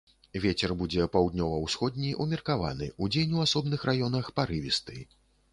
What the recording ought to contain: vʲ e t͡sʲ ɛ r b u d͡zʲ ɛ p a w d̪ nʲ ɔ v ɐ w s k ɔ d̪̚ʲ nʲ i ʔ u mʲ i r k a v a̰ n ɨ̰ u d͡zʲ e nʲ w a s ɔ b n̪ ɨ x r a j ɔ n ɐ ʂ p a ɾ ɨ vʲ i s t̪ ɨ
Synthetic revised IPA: vʲ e t͡sʲ ɛ r b u d͡zʲ ɛ p a w d̪ nʲ ɔ v ɐ w s x ɔ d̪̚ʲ nʲ i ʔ u mʲ i r k a v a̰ n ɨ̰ u d͡zʲ e nʲ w a s ɔ b n̪ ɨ x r a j ɔ n ɐ x p a ɾ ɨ vʲ i s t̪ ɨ

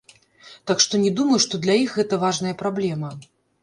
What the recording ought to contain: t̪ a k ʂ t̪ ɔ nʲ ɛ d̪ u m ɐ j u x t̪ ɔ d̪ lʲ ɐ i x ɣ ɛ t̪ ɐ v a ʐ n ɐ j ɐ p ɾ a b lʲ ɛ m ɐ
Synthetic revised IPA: t̪ a k ʂ t̪ ɔ nʲ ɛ d̪ u m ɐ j u ʂ t̪ ɔ d̪ lʲ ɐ i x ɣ ɛ t̪ ɐ v a ʐ n ɐ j ɐ p ɾ a b lʲ ɛ m ɐ

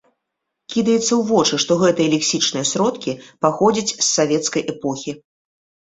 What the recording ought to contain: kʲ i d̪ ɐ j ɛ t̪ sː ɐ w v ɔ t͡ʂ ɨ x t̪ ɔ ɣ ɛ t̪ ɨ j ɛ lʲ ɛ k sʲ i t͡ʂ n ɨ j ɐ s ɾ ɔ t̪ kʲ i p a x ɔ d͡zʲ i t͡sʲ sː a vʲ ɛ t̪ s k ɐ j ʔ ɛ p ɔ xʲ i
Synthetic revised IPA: kʲ i d̪ ɐ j ɛ t̪ sː ɐ w v ɔ t͡ʂ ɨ ʂ t̪ ɔ ɣ ɛ t̪ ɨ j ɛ lʲ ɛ k sʲ i t͡ʂ n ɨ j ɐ s ɾ ɔ t̪ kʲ i p a x ɔ d͡zʲ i t͡sʲ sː a vʲ ɛ t̪ s k ɐ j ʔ ɛ p ɔ xʲ i

